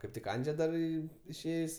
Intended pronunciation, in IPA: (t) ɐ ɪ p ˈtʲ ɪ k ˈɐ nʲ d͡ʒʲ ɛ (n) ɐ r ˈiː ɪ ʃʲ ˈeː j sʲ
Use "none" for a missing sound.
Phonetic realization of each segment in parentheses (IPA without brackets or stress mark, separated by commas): k, d